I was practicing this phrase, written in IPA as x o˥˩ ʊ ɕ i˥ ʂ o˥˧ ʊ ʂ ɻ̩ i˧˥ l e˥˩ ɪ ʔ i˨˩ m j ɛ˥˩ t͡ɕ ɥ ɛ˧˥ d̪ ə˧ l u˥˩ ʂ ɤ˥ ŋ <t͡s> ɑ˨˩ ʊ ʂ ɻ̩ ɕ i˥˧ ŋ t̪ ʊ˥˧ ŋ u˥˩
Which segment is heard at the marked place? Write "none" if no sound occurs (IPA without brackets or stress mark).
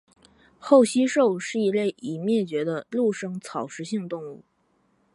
t͡sʰ